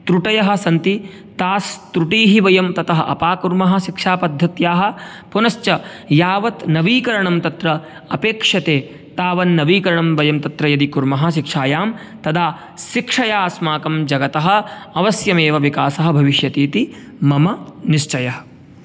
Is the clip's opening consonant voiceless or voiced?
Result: voiceless